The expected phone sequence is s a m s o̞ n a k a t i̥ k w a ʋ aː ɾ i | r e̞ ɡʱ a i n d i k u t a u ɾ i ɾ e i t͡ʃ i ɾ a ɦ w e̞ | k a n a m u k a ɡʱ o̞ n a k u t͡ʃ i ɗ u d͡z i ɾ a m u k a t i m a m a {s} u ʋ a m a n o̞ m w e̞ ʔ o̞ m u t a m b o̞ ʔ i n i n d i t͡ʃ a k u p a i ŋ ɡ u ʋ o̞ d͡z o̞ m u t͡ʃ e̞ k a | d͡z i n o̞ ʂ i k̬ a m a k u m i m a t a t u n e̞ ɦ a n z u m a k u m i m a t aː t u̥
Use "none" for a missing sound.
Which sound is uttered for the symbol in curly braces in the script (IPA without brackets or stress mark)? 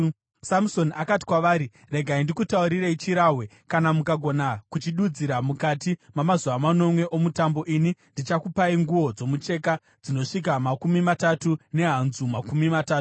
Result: z